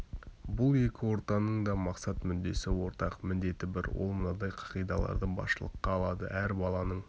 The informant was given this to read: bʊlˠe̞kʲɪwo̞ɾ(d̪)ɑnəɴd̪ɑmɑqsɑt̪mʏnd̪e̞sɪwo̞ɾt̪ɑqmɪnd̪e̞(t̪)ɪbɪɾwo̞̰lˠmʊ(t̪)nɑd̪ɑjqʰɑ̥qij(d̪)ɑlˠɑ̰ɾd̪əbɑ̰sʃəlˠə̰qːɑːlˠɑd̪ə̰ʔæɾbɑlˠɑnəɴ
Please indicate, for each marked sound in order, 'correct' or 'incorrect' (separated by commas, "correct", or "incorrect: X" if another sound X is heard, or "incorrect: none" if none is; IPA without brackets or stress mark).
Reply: incorrect: t̪, correct, incorrect: none, correct